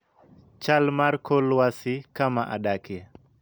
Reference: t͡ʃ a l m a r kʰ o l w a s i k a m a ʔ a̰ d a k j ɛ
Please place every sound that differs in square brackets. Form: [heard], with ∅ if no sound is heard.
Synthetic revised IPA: t͡ʃ a l m a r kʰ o l w a s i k a m a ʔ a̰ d a k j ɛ